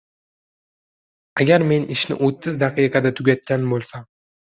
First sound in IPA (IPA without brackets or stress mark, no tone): a